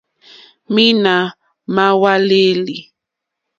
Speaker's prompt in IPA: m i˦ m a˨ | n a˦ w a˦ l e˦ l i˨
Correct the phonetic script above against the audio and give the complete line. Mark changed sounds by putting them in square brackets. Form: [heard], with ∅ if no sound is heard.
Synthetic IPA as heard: m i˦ [n] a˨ | [m] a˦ w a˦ l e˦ l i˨